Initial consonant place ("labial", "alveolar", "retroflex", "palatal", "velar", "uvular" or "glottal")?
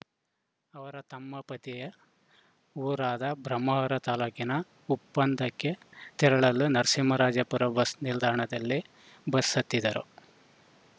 labial